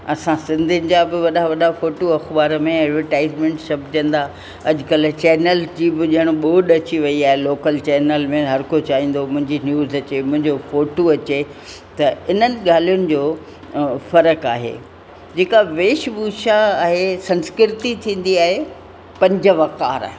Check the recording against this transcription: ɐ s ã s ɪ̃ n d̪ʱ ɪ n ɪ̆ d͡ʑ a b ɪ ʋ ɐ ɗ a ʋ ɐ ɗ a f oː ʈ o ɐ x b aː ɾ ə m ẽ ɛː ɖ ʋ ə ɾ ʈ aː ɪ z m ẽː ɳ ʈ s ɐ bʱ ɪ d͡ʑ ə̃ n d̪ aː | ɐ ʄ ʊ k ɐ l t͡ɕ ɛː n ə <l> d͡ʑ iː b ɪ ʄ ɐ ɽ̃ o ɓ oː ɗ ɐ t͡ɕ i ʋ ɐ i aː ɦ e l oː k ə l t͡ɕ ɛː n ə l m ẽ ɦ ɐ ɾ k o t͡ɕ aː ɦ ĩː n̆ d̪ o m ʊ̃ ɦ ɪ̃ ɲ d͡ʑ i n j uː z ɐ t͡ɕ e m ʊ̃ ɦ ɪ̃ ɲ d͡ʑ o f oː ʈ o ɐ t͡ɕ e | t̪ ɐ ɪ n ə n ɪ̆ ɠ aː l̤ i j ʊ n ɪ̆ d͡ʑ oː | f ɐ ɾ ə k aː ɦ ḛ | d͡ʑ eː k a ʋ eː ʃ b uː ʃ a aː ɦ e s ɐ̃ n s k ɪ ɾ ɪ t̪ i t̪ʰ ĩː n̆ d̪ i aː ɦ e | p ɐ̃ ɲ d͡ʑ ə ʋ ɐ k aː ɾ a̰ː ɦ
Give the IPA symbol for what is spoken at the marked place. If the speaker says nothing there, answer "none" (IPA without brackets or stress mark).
l